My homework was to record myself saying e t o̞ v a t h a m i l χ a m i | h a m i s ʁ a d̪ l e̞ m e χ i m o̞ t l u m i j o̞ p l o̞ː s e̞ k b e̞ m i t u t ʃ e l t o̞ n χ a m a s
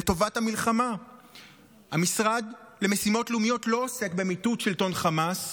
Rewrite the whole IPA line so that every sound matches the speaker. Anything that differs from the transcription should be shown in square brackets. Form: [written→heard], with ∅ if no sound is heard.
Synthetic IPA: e t o̞ v a t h a m i l χ a m [i→a] | h a m i s ʁ a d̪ l e̞ m e [χ→s] i m o̞ t l u m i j o̞ [p→t] l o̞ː s e̞ k b e̞ m i t u t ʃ e l t o̞ n χ a m a s

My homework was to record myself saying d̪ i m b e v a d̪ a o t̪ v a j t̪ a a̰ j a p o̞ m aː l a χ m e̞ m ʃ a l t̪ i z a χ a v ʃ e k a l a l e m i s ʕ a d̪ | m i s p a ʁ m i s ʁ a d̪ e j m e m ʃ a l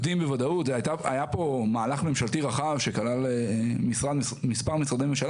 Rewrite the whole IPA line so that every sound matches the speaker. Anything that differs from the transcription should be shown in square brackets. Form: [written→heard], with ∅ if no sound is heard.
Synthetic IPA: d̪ i m b e v a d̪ a [o→u] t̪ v a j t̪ a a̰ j a p o̞ m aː l a χ m e̞ m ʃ a l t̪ i [z→ʁ] a χ a v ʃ e k a l a l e m i s [ʕ→ʁ] a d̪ | m i s p a ʁ m i s ʁ a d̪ e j m e m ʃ a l

